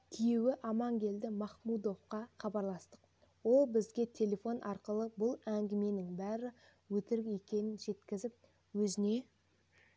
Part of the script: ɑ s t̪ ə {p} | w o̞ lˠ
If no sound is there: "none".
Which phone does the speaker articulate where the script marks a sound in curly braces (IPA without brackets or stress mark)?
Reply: q